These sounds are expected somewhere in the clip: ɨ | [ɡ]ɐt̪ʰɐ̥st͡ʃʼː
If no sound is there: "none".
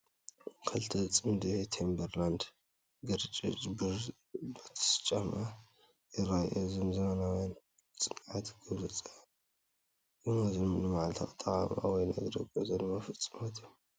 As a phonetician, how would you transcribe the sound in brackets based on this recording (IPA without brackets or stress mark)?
b